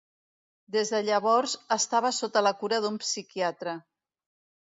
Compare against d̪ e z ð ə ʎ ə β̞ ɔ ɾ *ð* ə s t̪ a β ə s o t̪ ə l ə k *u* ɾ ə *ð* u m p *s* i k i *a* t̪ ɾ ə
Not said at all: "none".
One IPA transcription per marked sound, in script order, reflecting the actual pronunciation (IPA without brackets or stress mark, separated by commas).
z, u, ð, s, a